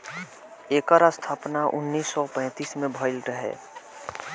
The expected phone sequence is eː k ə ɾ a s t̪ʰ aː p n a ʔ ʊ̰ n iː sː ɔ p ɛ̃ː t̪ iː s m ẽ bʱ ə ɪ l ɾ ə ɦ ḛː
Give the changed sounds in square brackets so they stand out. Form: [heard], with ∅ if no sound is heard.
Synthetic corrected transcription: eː k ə ɾ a s t̪ʰ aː p n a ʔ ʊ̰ [nː] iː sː ɔ p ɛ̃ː t̪ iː s m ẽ bʱ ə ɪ l ɾ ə ɦ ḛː